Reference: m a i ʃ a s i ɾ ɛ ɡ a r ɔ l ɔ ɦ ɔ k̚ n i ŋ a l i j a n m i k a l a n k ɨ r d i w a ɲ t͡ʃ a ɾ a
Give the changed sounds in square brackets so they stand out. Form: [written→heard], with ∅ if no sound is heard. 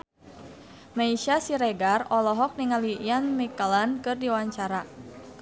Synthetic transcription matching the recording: m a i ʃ a s i ɾ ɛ ɡ a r ɔ l ɔ ɦ ɔ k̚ n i ŋ a l i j a n m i k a l a n k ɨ r d i w a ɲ t͡ʃ a ɾ a